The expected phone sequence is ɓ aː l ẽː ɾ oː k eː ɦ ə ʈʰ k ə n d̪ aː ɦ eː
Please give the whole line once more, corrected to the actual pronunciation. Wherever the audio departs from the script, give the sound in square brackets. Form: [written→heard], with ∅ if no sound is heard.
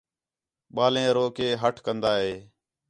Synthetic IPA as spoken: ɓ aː l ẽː ɾ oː k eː ɦ ə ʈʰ k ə n d̪ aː ɦ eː